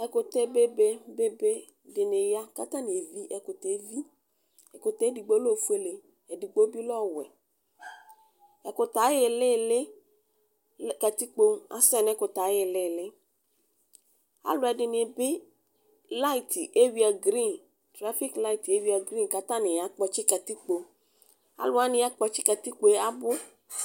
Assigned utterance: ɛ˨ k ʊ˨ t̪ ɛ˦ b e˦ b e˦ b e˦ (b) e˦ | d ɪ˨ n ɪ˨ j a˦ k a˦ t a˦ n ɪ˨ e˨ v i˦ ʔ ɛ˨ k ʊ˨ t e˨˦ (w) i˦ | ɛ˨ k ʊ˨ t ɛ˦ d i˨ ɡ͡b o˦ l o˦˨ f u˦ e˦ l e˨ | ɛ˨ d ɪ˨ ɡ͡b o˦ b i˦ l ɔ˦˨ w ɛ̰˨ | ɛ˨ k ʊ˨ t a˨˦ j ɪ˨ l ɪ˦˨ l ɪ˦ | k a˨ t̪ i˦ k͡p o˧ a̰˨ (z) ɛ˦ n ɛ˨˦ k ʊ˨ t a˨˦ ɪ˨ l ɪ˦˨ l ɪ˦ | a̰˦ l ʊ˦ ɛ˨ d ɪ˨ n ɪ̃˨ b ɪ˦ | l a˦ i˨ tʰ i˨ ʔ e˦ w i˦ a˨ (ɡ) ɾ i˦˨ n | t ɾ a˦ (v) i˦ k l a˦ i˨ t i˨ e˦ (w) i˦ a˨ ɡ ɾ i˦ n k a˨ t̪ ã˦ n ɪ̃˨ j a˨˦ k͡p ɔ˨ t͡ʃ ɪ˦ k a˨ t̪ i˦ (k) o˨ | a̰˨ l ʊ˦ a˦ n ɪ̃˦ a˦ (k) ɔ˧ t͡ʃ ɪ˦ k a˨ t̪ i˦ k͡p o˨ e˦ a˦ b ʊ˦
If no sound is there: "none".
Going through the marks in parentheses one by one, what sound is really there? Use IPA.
b, v, s, ɡ, f, w, k͡p, k͡p

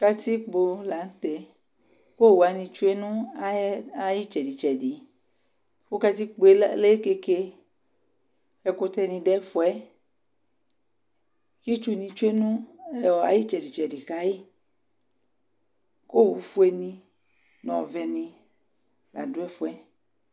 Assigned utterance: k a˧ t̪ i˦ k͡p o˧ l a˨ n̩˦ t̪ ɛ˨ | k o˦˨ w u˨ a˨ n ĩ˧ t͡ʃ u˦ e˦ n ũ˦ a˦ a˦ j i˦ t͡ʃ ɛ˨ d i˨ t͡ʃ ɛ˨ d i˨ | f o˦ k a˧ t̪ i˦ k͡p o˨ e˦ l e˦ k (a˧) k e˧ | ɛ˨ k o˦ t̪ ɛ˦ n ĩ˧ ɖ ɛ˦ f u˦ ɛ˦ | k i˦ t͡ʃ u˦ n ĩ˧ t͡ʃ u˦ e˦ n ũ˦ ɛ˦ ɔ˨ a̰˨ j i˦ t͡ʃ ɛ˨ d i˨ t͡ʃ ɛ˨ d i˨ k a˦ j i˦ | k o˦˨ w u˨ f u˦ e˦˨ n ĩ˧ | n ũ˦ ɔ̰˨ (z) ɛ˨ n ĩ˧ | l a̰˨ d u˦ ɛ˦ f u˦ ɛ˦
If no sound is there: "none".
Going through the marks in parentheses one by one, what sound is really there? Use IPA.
e˧, v

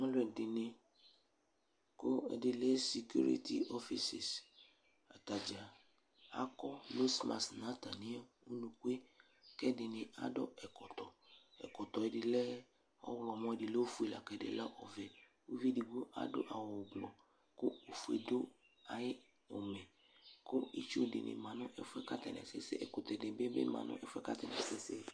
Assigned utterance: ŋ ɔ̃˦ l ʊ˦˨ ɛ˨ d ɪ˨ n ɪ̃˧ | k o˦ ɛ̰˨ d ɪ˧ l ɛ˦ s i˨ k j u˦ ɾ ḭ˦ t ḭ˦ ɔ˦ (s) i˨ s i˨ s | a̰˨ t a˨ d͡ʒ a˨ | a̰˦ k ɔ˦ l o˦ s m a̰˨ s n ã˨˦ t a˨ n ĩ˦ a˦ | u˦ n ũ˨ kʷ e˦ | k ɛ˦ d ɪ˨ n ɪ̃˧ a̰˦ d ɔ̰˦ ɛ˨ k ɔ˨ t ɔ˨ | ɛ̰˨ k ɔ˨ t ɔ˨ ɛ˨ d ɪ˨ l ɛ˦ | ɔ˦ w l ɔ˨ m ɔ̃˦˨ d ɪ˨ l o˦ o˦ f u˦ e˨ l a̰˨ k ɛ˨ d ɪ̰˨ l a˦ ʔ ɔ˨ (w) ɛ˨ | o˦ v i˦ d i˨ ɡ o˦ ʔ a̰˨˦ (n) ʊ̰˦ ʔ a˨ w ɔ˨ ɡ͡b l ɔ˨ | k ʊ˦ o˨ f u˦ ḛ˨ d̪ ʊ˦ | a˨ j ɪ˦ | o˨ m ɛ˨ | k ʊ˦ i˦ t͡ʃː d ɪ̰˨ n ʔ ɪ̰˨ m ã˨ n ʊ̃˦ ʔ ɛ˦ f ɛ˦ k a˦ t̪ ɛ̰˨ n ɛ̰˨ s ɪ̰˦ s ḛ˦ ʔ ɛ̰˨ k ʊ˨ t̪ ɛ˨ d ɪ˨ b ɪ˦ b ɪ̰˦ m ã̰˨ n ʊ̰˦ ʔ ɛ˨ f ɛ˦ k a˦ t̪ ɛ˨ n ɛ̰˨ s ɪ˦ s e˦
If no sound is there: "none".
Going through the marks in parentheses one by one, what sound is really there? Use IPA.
f, v, d

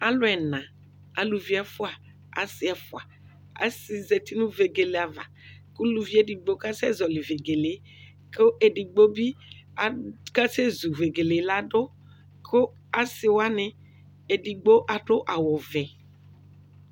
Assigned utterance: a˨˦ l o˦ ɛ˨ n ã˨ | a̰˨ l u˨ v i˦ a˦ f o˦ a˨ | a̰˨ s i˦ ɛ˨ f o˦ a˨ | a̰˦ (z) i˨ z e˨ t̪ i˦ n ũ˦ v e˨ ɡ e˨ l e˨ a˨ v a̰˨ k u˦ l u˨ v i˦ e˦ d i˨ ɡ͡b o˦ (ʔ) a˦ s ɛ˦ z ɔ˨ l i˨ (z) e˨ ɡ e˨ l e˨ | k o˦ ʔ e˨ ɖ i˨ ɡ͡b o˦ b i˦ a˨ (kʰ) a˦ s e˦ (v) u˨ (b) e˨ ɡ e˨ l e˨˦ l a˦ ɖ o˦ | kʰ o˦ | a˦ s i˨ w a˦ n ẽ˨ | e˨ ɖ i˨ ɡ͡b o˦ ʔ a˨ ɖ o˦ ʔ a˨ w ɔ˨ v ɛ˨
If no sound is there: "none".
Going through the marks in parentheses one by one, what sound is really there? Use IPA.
s, k, v, k, z, v

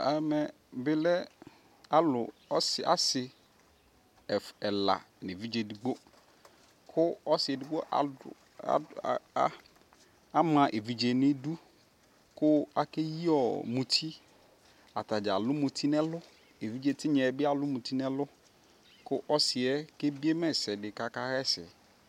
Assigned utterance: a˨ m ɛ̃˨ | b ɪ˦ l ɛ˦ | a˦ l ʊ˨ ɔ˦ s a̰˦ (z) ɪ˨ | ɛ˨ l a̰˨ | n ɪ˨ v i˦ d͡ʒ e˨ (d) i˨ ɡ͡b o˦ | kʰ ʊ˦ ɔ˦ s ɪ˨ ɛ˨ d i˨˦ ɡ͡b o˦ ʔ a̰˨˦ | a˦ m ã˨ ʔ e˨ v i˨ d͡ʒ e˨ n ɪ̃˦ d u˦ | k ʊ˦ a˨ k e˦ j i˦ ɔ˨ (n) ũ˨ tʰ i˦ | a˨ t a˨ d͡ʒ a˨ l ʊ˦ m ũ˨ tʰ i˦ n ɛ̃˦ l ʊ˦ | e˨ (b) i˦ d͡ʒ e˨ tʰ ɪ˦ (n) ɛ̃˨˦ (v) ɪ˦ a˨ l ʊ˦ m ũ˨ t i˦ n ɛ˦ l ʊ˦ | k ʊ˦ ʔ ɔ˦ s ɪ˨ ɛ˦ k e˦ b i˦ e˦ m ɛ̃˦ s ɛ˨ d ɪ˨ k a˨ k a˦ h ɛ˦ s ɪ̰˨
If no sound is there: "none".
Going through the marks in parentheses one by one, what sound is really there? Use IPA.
s, d, m, v, ɲ, b

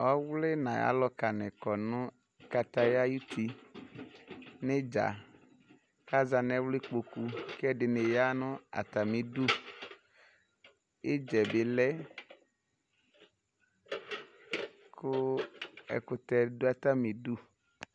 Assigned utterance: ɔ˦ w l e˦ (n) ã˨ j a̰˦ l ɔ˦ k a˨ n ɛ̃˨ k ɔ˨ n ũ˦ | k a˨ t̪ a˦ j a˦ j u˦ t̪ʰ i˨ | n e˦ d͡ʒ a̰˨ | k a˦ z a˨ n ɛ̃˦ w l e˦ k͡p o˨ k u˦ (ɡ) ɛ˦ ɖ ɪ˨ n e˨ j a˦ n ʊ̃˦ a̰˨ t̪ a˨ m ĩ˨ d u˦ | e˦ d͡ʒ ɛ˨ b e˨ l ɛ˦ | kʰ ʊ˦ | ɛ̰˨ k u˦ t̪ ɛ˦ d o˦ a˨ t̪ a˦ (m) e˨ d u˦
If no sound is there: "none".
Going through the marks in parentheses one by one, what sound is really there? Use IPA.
n, k, m

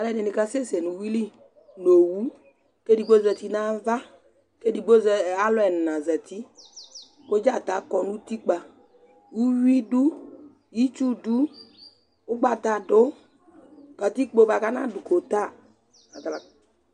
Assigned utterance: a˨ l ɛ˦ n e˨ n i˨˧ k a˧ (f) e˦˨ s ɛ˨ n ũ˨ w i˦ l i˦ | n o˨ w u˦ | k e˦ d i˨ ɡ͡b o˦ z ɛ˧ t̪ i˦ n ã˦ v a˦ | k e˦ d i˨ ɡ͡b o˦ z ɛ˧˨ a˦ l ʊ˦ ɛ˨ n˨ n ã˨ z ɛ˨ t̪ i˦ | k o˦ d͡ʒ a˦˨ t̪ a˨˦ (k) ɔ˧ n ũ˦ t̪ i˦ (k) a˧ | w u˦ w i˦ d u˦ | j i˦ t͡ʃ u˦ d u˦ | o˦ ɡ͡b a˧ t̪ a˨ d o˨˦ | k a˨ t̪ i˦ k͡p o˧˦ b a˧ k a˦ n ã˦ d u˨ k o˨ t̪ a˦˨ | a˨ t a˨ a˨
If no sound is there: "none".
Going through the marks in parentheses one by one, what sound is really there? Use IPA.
s, k, k͡p

